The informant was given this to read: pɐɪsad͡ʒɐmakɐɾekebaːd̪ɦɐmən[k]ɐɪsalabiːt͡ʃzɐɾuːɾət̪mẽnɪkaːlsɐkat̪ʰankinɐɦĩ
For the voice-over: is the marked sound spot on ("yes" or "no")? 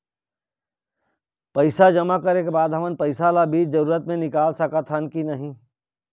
no